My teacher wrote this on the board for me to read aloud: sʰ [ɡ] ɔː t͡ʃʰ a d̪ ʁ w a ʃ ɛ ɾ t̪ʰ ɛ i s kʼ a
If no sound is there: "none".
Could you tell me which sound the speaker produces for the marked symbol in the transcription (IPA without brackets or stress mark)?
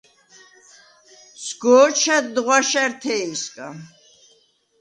ɡ